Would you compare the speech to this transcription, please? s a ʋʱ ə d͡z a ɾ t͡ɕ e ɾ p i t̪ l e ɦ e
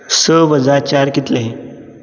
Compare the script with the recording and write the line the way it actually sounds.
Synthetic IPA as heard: s ə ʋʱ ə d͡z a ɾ t͡ɕ a ɾ k i t̪ l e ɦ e